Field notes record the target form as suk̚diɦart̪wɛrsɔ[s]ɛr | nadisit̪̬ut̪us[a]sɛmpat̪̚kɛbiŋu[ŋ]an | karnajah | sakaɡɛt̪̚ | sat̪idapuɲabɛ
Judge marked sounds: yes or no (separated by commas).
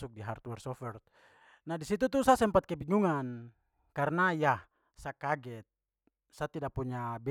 no, yes, yes